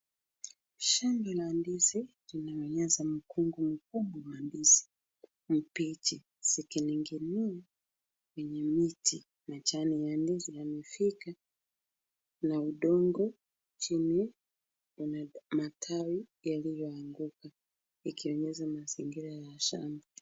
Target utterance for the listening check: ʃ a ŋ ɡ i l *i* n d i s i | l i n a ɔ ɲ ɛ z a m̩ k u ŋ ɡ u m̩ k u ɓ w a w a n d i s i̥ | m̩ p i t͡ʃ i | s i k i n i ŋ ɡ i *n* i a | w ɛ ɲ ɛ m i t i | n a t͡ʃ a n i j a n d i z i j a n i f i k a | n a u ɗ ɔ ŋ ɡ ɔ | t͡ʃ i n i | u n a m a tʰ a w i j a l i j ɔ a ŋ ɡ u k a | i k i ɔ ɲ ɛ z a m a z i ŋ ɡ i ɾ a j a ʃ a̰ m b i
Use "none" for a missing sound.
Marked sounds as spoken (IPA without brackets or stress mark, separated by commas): a, n